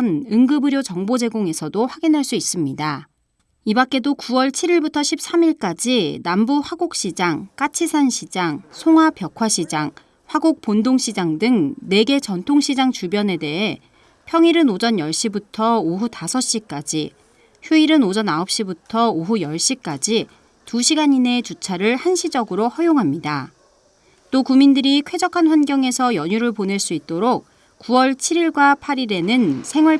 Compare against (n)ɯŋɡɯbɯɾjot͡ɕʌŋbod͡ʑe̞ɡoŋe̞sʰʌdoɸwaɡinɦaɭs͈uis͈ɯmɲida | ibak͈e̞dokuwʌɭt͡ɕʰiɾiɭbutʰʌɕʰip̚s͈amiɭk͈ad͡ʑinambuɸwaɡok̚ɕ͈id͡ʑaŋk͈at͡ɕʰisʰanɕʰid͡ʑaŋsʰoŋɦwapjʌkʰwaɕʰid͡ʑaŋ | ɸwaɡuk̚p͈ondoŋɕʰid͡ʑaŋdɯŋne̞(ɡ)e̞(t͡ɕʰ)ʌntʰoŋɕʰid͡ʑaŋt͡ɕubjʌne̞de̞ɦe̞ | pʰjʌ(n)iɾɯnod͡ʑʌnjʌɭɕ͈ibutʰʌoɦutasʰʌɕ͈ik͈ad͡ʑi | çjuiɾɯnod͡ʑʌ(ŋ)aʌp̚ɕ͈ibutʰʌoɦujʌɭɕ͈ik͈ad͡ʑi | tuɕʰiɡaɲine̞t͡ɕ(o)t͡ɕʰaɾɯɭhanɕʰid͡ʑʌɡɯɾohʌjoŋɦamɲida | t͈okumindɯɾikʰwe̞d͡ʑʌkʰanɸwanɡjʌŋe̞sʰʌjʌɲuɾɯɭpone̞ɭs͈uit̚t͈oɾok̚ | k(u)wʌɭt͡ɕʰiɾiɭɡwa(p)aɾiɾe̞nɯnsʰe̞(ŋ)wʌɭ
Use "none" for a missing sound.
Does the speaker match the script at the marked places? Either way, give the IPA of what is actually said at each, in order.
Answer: n, ɡ, t͡ɕ, ŋ, n, u, u, pʰ, ŋ

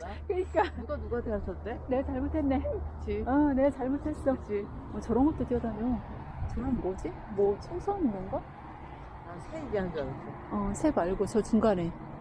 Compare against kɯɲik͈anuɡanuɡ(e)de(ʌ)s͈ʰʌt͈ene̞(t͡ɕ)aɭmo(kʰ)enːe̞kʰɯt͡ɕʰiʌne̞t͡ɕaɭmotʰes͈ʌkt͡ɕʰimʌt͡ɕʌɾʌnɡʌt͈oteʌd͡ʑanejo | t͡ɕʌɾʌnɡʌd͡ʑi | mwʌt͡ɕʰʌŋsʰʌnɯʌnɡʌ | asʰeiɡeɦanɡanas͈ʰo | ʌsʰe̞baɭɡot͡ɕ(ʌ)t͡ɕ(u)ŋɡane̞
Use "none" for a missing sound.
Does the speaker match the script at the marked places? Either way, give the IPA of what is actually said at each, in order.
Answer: a, ʌ, t͡ɕ, tʰ, ʌ, u

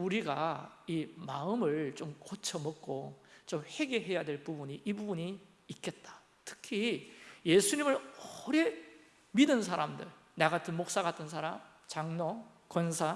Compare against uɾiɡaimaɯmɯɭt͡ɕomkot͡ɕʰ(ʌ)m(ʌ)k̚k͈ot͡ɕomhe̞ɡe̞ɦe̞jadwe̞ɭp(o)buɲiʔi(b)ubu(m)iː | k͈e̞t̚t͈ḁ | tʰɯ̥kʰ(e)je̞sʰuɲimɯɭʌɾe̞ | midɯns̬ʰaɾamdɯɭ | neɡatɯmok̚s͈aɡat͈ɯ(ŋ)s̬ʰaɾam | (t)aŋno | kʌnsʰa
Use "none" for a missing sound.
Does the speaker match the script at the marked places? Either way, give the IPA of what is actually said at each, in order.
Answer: ʌ, ʌ, u, b, ɲ, i, n, t͡ɕ

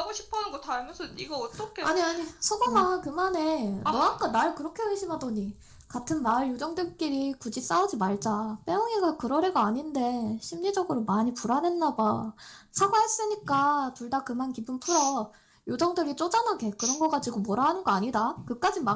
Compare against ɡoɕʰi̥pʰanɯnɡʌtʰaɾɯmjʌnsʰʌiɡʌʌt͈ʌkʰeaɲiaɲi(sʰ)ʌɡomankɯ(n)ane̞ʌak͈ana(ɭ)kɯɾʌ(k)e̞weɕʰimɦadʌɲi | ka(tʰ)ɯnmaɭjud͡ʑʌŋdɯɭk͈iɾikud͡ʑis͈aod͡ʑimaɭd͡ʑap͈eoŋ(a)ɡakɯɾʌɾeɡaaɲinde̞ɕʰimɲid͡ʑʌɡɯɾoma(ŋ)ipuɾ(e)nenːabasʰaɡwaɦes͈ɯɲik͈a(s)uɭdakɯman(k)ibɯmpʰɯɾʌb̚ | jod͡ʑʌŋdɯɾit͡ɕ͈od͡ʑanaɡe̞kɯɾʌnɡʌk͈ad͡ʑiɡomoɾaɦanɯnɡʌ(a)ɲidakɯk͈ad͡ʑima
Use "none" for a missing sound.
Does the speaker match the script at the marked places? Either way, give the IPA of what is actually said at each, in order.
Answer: sʰ, m, ɭ, kʰ, tʰ, i, ɲ, a, t, k, a

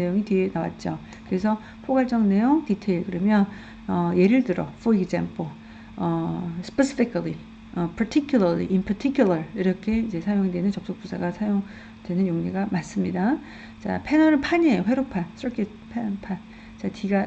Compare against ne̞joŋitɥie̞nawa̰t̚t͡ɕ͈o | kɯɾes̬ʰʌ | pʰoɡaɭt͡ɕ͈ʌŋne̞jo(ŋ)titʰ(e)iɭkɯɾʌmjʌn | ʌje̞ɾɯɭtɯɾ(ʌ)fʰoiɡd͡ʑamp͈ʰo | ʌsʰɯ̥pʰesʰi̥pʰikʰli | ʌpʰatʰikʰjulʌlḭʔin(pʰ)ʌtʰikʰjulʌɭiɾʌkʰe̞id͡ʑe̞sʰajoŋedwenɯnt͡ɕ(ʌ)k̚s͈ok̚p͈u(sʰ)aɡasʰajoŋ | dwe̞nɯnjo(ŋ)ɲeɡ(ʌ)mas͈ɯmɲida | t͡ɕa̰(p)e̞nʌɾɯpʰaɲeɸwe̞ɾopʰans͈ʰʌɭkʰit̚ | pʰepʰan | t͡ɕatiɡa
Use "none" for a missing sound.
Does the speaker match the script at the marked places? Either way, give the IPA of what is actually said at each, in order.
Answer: ŋ, e, ʌ, pʰ, ʌ, sʰ, ŋ, a, pʰ

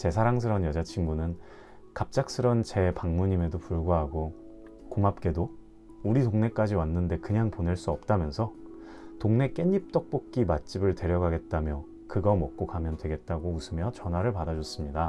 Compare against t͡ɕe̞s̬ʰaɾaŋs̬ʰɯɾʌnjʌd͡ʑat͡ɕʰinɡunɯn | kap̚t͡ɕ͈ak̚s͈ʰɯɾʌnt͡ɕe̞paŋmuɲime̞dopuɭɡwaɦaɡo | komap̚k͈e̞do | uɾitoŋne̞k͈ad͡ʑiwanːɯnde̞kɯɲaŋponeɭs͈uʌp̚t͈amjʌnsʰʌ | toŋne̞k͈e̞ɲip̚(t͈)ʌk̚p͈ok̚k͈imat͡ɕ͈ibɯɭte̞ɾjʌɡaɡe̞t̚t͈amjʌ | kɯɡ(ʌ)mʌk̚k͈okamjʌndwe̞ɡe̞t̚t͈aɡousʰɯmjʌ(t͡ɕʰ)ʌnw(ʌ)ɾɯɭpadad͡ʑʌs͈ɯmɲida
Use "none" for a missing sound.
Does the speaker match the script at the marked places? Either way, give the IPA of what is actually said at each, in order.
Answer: t͈, ʌ, t͡ɕ, a

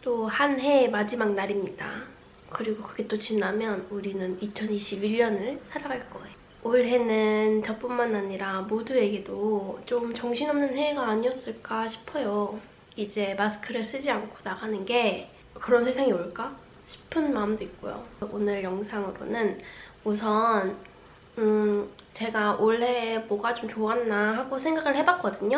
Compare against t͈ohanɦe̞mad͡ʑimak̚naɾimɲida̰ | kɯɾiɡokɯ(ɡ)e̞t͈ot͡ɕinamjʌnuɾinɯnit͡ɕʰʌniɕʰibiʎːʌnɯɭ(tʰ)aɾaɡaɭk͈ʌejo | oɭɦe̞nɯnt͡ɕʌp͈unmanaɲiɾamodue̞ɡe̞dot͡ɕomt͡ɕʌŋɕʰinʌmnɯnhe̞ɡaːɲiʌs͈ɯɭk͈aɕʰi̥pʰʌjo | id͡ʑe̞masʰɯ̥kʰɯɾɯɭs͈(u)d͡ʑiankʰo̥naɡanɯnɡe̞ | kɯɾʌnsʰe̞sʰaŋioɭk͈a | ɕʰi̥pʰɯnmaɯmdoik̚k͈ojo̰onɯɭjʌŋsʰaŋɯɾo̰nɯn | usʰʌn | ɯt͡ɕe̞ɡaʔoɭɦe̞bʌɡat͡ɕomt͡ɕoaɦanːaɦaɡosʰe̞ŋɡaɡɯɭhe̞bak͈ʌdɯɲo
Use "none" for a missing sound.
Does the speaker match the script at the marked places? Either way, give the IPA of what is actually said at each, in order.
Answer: ɡ, sʰ, ɯ

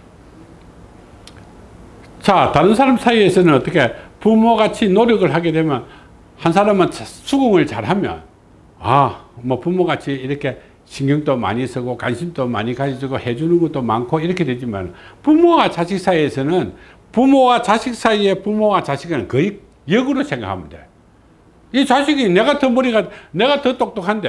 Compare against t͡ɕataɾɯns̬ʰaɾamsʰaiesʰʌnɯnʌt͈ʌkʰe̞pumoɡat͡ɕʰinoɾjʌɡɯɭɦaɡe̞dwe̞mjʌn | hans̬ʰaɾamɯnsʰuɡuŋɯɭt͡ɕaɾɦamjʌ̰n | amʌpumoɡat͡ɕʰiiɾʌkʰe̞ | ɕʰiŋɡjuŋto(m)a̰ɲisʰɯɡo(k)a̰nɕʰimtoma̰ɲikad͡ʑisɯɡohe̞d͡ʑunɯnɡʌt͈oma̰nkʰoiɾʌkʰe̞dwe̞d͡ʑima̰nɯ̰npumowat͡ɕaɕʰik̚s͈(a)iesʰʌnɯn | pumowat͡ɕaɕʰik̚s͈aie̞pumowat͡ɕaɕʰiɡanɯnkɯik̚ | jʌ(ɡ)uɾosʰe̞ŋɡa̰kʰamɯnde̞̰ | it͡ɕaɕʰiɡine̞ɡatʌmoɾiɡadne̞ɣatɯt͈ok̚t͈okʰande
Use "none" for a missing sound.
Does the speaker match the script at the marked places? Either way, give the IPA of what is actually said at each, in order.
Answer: m, k, a, ɡ

